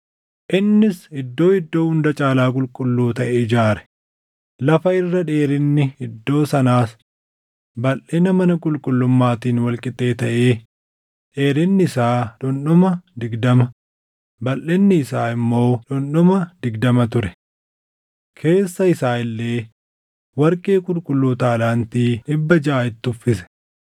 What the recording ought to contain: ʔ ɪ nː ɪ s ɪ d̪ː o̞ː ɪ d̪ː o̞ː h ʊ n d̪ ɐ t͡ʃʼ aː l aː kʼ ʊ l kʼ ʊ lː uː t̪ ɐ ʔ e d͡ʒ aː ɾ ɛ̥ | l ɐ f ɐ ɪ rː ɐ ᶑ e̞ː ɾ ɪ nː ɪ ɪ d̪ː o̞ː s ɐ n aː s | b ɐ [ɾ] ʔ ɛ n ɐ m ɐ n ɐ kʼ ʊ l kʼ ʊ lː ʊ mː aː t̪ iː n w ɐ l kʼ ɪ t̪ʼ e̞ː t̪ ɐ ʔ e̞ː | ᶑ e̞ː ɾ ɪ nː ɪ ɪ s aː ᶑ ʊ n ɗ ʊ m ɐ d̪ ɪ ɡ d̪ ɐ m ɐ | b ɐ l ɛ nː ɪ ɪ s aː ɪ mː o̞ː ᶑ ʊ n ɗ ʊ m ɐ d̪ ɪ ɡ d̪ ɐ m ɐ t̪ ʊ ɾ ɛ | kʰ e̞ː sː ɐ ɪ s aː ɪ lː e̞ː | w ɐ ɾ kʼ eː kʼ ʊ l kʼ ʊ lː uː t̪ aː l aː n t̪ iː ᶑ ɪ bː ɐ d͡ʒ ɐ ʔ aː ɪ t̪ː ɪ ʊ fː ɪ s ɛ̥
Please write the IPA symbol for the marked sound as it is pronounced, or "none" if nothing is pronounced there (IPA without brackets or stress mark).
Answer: l